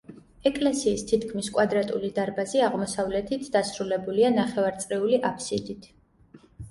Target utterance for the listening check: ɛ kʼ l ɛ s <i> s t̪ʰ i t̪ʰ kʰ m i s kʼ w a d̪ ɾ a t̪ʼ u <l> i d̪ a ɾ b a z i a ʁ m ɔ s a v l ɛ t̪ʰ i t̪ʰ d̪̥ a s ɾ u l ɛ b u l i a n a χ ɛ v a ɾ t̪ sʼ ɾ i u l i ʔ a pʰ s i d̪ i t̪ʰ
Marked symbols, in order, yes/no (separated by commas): no, yes